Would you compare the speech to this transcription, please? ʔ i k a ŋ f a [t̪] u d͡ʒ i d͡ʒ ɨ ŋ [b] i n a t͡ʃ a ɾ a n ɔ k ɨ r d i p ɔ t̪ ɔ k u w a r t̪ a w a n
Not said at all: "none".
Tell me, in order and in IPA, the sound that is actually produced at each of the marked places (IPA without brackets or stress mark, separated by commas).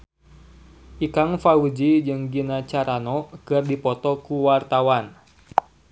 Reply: none, ɡ